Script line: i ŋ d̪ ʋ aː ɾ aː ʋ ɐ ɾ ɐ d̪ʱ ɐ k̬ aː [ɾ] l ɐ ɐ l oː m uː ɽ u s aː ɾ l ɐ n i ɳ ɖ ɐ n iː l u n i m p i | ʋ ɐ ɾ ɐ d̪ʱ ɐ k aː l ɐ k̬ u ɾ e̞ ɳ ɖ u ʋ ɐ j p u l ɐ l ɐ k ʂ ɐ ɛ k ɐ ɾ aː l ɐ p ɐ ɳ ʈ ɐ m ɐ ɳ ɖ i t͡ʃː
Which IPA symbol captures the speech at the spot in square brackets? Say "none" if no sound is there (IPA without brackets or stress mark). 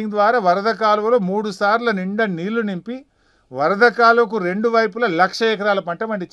none